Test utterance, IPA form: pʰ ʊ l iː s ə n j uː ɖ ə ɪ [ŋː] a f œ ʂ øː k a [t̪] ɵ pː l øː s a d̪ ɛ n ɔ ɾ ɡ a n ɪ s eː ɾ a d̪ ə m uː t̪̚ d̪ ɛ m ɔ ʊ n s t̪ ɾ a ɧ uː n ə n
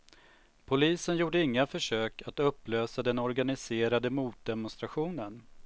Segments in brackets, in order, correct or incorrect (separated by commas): correct, correct